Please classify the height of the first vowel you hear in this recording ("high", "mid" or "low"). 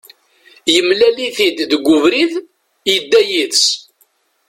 mid